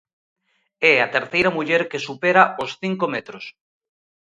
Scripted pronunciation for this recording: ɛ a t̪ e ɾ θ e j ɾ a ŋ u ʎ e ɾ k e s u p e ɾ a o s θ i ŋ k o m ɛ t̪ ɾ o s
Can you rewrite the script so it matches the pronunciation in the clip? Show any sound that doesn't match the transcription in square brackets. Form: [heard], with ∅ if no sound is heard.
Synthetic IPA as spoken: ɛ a t̪ e ɾ θ e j ɾ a [m] u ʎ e ɾ k e s u p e ɾ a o s θ i ŋ k o m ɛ t̪ ɾ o s